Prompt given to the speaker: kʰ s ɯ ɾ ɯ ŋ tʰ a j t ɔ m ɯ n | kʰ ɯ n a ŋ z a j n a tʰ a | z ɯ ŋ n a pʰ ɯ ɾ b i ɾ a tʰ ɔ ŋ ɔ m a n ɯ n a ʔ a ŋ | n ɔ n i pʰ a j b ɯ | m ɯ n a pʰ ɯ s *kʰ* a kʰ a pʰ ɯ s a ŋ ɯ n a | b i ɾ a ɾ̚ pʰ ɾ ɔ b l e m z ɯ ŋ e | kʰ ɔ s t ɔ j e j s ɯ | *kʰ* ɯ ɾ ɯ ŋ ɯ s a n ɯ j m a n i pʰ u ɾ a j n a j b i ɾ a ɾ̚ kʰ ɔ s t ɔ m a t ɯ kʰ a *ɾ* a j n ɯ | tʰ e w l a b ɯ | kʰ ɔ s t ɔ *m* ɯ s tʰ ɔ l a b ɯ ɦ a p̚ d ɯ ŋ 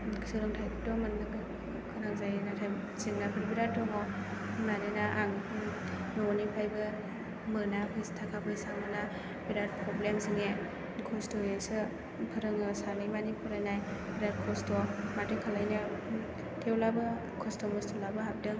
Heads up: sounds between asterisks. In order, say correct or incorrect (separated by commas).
incorrect, incorrect, incorrect, correct